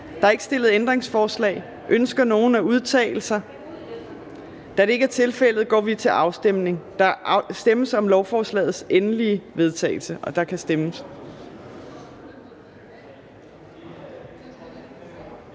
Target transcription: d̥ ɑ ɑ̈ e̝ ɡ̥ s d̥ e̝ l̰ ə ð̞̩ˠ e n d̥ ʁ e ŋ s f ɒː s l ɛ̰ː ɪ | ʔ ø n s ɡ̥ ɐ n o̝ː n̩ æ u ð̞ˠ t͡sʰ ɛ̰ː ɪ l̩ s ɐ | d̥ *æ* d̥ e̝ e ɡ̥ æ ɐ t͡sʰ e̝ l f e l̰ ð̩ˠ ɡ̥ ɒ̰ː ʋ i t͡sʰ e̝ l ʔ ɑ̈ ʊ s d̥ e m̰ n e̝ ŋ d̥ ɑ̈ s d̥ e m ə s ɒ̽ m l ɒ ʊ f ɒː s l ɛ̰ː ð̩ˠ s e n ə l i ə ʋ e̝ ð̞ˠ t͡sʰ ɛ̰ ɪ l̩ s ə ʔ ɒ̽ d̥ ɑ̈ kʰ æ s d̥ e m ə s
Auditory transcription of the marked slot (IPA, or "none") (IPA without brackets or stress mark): æ